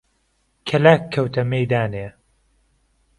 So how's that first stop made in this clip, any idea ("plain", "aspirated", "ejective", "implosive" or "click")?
aspirated